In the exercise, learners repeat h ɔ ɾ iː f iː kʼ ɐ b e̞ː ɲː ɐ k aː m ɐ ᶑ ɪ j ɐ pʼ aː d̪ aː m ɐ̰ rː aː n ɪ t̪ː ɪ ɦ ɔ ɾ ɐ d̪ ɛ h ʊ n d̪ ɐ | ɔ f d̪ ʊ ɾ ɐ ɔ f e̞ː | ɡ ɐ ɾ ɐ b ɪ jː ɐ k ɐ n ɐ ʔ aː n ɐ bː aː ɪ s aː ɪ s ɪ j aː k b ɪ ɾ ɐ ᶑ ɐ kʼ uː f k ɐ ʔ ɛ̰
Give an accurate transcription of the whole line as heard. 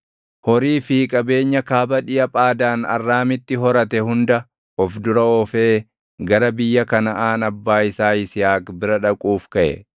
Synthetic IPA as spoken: h ɔ ɾ iː f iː kʼ ɐ b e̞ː ɲː ɐ k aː b ɐ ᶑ ɪ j ɐ pʼ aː d̪ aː n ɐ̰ rː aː m ɪ t̪ː ɪ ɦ ɔ ɾ ɐ t̪ ɛ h ʊ n d̪ ɐ | ɔ f d̪ ʊ ɾ ɐ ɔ f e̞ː | ɡ ɐ ɾ ɐ b ɪ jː ɐ k ɐ n ɐ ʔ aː n ɐ bː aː ɪ s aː ɪ s ɪ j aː k b ɪ ɾ ɐ ᶑ ɐ kʼ uː f k ɐ ʔ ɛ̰